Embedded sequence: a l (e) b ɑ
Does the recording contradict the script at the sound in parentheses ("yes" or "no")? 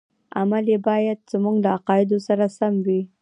no